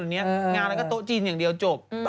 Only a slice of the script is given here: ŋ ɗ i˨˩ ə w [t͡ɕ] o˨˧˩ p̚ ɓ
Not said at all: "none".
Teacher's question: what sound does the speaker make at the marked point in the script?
t͡ɕ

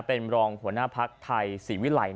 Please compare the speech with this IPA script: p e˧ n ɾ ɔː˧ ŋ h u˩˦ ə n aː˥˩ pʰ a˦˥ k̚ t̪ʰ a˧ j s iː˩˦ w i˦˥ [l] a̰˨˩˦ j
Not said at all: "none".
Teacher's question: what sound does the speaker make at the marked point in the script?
l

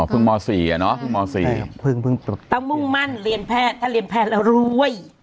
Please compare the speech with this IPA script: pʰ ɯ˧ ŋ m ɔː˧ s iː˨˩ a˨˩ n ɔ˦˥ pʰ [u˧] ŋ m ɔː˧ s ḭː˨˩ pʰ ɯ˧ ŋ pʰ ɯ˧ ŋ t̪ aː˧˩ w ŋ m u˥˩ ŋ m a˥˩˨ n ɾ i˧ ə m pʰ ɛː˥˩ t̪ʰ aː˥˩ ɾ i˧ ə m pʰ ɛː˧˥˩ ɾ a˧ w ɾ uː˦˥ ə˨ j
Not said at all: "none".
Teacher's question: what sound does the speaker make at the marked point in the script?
ɯ˧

